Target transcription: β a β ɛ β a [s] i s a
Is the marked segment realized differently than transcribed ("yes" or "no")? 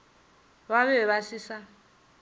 no